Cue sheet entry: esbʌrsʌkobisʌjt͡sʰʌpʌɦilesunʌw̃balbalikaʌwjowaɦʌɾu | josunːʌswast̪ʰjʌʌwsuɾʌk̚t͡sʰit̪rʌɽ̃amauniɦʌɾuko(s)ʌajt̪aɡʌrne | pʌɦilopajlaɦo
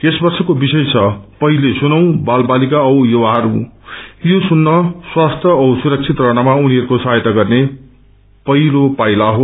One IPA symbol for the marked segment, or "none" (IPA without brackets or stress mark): s